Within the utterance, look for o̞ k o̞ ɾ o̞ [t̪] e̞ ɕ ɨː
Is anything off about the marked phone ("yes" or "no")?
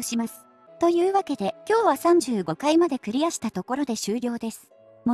yes